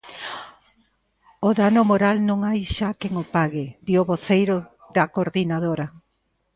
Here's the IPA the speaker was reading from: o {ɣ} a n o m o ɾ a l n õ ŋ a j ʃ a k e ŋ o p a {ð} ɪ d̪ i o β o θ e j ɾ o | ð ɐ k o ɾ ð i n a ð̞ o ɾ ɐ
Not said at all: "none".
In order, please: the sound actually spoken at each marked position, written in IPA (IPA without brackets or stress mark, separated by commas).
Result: ð, ɣ